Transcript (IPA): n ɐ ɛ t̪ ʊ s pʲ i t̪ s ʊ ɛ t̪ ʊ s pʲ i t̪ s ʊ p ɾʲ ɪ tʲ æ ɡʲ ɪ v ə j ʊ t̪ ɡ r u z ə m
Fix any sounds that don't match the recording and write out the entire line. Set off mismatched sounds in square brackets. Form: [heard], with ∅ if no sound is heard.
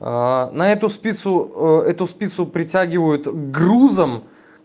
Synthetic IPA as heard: n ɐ ɛ t̪ ʊ s pʲ i t̪ s ʊ ɛ t̪ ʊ s pʲ i t̪ s ʊ p ɾʲ ɪ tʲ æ ɡʲ ɪ v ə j ʊ t̪ ɡ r u z ə m